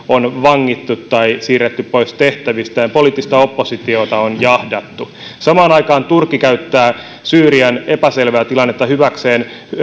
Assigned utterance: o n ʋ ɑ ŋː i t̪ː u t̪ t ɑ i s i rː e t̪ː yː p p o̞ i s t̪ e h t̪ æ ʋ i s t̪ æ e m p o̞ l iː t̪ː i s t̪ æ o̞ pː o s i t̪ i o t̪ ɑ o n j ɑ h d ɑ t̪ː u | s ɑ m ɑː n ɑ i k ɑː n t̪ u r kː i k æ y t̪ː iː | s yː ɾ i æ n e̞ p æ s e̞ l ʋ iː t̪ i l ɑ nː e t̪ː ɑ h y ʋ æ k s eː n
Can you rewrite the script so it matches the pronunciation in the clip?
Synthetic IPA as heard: o n ʋ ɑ ŋː i t̪ː u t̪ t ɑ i s iː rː e t̪ː y p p o̞ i s t̪ e h t̪ æ ʋ i s t̪ æ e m p o̞ l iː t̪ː i s t̪ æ o̞ pː o s i t̪ i o t̪ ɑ o n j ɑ h d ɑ t̪ː u | s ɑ m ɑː n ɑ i k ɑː n t̪ u r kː i k æ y t̪ː æː | s yː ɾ i æ n e̞ p æ s e̞ l ʋ æː t̪ i l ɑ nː e t̪ː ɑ h y ʋ æ k s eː n